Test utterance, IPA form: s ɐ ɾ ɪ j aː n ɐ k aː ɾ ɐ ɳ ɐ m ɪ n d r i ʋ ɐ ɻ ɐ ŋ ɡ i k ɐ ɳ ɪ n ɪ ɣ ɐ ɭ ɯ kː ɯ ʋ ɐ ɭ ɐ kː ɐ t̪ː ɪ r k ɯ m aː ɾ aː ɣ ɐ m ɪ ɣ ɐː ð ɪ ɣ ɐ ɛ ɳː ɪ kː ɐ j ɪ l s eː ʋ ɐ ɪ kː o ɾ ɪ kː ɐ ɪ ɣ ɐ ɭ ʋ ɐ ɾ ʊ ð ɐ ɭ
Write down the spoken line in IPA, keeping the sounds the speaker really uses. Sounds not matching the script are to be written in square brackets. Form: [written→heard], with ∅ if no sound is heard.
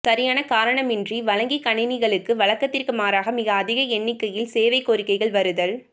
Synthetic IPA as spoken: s ɐ ɾ ɪ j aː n ɐ k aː ɾ ɐ ɳ ɐ m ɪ n d r i ʋ ɐ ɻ ɐ ŋ ɡ i k ɐ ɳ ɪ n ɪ ɣ ɐ ɭ ɯ kː ɯ ʋ ɐ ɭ ɐ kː ɐ t̪ː ɪ r k ɯ m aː ɾ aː ɣ ɐ m ɪ ɣ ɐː ð ɪ ɣ ɐ ɛ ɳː ɪ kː ɐ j ɪ l s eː ʋ ɐ ɪ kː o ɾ ɪ kː ɐ ɪ ɣ ɐ ɭ ʋ ɐ ɾ [ʊ→ɯ] ð ɐ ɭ